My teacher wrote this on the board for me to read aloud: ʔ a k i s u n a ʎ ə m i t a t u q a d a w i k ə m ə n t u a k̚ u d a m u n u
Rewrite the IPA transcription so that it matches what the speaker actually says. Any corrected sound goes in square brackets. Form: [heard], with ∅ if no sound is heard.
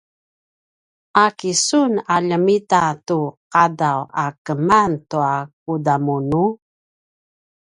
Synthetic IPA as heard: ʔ a k i s u n a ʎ ə m i t a t u q a d a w [a] k ə m [a] n t u a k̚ u d a m u n u